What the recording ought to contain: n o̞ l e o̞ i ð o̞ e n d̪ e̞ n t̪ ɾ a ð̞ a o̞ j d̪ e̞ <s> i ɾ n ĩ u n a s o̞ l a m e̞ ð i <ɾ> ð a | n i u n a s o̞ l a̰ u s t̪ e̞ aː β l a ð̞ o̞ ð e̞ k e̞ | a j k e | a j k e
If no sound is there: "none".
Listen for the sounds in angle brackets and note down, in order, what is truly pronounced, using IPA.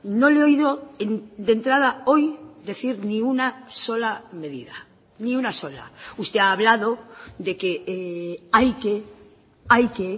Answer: θ, none

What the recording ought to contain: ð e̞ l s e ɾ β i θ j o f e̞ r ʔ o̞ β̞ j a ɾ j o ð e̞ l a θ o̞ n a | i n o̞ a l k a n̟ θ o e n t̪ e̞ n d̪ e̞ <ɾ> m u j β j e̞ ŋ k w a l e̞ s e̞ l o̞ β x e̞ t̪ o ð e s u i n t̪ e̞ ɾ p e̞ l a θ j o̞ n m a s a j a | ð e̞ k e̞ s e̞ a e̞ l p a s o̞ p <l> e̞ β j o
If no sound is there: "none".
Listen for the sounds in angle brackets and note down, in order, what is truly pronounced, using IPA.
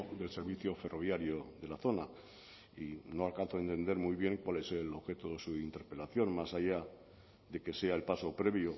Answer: ɾ, ɾ

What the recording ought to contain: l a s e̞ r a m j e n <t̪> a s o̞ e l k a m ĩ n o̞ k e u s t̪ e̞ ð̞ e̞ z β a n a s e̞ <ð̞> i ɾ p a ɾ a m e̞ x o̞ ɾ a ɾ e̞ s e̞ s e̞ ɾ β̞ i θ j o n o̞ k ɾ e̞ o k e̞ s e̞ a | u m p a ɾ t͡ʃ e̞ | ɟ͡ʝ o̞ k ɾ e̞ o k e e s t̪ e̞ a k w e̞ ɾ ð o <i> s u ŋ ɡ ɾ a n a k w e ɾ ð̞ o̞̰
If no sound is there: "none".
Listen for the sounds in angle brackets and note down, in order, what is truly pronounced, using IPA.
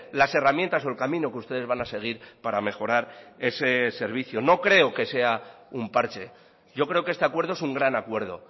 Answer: t̪, ɣ̞, e

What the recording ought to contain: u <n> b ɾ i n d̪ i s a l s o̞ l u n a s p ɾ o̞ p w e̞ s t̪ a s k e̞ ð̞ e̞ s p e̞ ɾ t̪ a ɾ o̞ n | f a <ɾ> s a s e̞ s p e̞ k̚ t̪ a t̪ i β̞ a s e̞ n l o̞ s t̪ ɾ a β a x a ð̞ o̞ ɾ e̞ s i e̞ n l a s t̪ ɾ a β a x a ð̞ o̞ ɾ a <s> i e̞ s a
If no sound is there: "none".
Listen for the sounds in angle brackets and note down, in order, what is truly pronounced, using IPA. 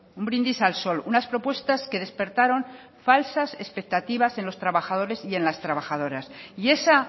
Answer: m, l, s

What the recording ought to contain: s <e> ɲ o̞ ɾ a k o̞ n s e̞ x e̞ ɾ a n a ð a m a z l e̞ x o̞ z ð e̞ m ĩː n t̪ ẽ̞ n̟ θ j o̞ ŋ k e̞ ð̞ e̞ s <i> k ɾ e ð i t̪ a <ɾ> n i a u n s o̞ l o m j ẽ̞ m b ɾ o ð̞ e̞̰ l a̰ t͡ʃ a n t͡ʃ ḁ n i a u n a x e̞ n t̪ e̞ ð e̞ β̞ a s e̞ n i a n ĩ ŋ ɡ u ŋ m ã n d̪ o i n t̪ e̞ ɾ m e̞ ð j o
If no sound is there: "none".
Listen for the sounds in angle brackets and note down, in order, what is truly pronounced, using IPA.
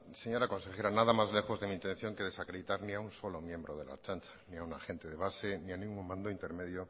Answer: e, a, ɾ

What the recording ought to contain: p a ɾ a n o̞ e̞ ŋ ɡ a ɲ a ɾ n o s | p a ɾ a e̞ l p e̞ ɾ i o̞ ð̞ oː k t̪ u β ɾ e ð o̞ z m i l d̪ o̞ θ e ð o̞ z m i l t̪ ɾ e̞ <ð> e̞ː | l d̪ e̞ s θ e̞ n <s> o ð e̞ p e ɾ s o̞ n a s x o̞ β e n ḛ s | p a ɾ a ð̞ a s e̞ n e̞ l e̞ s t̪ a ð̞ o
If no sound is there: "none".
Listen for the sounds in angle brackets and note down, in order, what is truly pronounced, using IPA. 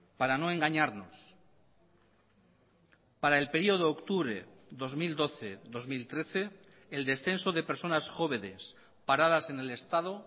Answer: θ, s

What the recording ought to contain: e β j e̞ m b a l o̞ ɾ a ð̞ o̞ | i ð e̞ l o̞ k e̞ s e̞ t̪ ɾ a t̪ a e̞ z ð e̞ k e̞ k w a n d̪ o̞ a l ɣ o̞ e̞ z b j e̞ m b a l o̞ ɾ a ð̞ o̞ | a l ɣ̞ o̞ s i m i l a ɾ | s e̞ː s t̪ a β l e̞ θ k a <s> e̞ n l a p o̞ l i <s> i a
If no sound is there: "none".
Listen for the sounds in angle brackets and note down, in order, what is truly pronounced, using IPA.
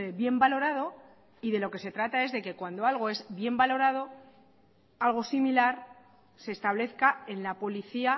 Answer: none, θ

